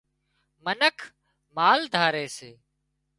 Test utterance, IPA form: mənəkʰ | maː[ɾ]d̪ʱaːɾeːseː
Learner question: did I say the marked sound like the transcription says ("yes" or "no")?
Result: no